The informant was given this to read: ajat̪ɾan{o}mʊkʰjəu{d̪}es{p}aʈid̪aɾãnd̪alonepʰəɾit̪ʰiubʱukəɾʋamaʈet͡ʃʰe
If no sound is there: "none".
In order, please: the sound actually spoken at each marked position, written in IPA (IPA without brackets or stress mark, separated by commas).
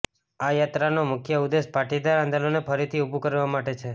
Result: o, d̪, p